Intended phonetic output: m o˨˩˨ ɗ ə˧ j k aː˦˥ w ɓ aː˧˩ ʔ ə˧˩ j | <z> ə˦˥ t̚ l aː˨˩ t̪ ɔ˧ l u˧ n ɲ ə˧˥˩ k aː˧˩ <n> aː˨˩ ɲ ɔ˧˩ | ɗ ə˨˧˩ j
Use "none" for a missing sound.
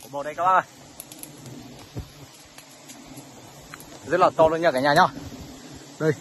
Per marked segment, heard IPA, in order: z, ɲ

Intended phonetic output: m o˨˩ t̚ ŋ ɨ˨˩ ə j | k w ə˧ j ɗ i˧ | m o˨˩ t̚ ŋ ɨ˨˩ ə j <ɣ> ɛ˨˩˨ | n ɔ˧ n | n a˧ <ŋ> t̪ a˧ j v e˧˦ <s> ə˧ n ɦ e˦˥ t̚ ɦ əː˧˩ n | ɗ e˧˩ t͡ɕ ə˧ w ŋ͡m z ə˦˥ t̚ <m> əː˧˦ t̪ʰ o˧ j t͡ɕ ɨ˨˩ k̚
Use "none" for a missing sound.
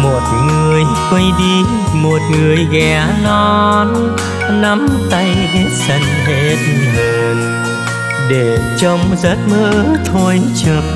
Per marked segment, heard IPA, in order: ɣ, m, s, m

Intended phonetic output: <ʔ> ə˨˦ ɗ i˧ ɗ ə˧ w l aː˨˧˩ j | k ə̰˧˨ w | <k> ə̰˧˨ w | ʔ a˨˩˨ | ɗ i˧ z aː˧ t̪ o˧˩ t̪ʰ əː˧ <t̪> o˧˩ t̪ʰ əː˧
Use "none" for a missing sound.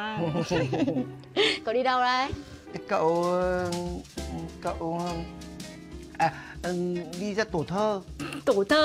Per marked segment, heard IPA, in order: k, k, t̪

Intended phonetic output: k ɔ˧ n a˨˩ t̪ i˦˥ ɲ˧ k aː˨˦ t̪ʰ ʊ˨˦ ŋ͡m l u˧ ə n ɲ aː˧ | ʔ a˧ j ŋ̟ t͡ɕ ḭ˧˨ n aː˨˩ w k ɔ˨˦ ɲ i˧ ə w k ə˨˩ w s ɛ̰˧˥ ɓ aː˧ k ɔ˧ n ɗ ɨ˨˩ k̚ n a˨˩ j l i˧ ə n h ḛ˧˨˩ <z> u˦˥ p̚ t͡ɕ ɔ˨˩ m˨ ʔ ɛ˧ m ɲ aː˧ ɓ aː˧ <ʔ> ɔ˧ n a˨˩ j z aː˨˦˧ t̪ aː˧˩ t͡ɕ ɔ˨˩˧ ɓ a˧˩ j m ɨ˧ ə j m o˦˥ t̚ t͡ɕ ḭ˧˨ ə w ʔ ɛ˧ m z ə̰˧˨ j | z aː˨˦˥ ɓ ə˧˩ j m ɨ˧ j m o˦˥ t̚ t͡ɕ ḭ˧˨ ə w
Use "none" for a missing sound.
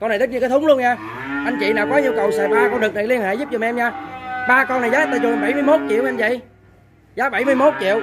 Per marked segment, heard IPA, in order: z, k

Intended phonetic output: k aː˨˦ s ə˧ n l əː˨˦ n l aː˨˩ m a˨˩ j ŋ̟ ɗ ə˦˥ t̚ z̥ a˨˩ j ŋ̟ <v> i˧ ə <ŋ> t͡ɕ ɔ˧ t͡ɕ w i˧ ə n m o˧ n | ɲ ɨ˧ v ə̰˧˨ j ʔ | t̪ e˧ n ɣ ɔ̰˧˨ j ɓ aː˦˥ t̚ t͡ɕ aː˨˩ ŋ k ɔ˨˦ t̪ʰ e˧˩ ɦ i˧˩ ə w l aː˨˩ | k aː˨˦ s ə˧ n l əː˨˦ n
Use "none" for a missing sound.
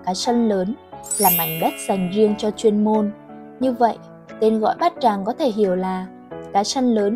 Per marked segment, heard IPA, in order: z, ŋ

